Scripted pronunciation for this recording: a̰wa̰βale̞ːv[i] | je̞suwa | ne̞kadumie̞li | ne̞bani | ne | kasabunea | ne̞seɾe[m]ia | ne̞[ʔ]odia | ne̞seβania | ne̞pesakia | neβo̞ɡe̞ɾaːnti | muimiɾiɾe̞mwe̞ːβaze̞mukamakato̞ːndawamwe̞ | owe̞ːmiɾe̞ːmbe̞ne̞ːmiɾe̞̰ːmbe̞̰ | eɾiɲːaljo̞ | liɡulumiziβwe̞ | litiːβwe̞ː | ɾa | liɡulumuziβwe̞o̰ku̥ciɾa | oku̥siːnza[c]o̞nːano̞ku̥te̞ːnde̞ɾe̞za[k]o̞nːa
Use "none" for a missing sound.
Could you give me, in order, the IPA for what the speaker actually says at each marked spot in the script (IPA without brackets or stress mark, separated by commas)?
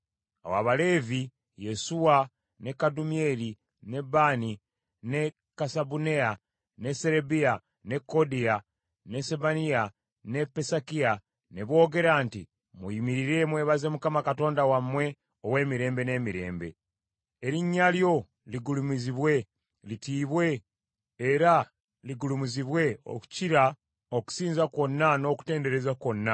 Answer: i, b, k, k, k